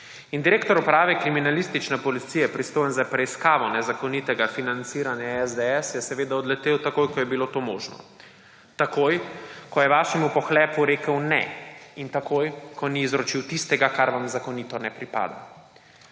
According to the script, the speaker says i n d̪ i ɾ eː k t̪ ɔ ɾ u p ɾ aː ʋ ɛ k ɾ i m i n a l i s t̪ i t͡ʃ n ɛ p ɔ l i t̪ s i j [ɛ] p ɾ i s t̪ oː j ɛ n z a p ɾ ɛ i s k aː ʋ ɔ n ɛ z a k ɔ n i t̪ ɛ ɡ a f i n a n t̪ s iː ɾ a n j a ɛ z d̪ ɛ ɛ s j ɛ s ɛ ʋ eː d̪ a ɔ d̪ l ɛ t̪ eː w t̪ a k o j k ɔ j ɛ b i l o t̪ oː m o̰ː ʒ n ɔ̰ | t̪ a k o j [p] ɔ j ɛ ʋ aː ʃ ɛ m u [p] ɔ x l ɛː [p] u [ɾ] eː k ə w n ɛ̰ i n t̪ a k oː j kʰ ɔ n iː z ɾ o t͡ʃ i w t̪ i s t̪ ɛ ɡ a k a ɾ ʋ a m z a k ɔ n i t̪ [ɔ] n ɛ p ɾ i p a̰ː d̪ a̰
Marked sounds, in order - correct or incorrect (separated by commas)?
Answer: correct, incorrect, correct, correct, correct, correct